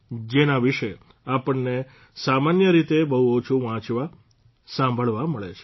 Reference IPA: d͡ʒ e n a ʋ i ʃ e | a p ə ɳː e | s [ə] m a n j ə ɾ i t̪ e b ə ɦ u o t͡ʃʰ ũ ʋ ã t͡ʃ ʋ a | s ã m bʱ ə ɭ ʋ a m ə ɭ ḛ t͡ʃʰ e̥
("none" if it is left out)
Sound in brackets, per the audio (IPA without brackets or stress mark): a